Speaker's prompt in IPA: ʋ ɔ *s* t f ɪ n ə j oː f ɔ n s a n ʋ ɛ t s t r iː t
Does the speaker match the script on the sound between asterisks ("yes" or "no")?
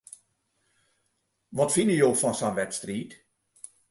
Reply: no